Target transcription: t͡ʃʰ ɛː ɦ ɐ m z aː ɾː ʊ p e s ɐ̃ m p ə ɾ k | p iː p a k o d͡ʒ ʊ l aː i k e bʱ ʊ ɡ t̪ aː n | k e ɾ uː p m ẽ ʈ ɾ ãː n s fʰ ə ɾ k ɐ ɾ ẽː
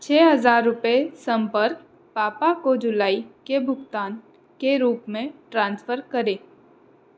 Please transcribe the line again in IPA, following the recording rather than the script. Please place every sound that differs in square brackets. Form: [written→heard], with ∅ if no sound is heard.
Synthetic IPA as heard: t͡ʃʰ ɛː ɦ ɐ [m→∅] z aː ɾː ʊ p e s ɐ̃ m p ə ɾ k | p [iː→aː] p a k o d͡ʒ ʊ l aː i k e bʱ ʊ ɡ t̪ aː n | k e ɾ uː p m ẽ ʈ ɾ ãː n s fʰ ə ɾ k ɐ ɾ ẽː